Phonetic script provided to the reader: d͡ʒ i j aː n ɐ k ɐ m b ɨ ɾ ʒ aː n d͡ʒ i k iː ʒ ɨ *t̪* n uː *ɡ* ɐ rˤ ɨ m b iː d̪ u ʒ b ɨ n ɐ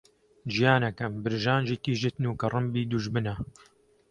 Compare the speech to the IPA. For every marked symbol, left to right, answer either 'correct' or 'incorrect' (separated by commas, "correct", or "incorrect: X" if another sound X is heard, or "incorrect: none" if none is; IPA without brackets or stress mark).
correct, incorrect: k